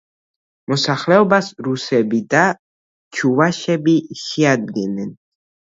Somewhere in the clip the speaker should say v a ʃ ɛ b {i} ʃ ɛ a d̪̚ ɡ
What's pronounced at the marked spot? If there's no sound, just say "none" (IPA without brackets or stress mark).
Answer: i